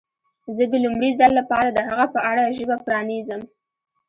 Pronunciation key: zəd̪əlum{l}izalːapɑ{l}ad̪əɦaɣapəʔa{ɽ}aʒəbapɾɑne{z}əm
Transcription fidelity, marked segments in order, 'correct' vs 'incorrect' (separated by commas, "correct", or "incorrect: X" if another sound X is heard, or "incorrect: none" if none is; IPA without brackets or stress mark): incorrect: ɽ, incorrect: ɾ, correct, correct